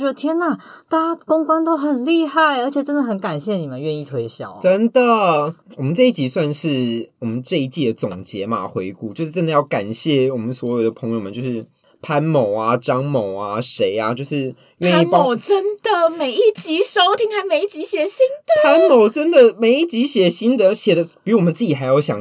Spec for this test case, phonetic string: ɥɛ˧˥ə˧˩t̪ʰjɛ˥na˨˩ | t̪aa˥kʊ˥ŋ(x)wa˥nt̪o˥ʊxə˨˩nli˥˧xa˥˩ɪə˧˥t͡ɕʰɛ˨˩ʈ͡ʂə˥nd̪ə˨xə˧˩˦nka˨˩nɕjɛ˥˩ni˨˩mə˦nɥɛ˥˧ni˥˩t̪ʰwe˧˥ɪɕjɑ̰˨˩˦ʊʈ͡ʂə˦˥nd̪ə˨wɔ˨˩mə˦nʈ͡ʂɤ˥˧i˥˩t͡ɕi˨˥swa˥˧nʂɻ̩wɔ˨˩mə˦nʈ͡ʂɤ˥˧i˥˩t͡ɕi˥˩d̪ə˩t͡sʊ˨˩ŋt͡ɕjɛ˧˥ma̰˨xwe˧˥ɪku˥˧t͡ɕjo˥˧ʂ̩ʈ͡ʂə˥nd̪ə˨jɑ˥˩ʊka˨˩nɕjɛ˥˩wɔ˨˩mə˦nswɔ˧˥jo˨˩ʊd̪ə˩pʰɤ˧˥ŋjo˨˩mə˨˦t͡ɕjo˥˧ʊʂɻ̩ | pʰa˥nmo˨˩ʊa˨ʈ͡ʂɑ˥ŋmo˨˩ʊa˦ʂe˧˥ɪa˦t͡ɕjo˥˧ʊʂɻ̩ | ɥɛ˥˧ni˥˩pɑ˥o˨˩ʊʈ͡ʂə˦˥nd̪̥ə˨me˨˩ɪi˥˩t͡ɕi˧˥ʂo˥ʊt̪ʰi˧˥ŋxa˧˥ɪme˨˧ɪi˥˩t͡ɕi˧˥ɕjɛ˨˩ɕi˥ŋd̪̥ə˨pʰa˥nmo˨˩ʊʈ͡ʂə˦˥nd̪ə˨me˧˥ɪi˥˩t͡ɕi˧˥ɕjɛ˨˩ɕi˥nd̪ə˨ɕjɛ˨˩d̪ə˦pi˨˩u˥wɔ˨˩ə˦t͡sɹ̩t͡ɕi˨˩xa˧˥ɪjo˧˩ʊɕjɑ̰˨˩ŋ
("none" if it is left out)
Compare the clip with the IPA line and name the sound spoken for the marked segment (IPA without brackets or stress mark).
k